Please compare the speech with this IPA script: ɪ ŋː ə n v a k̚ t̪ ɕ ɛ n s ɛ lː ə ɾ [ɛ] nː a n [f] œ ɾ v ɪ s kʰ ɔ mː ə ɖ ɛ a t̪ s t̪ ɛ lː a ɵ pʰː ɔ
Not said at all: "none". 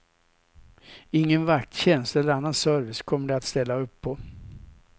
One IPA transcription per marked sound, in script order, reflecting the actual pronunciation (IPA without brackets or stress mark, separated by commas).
a, s